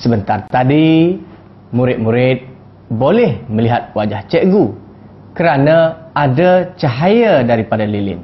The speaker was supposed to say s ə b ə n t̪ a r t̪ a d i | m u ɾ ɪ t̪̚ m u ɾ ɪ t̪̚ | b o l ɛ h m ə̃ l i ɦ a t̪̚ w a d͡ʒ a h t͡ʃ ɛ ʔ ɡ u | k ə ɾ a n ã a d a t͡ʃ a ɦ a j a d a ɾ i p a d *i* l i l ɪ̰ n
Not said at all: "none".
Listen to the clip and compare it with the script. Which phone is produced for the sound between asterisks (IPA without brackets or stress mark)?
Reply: a